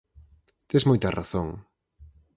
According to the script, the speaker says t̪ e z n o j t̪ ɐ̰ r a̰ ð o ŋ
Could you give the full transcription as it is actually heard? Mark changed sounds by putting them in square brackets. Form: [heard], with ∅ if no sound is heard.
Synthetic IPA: t̪ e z [m] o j t̪ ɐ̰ r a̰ [θ] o ŋ